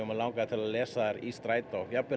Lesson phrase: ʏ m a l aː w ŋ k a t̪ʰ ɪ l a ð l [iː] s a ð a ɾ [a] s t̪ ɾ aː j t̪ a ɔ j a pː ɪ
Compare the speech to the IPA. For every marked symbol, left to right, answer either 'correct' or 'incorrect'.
incorrect: ɛː, incorrect: i

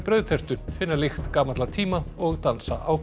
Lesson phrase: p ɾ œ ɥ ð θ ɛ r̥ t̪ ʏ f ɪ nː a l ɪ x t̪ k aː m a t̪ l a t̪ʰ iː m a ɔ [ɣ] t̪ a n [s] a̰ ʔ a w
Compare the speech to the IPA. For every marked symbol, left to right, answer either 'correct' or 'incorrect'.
correct, correct

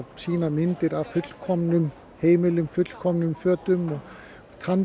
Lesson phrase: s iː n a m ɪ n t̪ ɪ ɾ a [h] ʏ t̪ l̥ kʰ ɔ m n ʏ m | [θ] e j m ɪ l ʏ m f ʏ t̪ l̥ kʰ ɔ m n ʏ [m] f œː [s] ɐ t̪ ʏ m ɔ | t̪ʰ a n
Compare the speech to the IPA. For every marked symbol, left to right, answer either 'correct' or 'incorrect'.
incorrect: f, incorrect: h, correct, incorrect: none

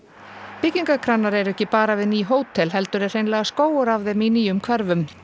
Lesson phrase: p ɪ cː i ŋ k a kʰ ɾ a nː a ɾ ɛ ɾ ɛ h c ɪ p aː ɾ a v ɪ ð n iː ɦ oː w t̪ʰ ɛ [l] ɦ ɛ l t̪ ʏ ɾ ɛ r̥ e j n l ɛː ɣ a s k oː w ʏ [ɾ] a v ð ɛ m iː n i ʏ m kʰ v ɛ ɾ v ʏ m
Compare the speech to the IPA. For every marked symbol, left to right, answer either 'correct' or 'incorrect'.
correct, correct

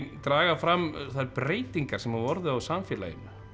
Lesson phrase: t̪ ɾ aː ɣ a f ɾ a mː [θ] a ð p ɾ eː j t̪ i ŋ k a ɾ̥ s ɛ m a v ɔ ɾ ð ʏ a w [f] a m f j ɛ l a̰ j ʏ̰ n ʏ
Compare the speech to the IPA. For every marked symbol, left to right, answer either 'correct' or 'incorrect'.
correct, incorrect: s

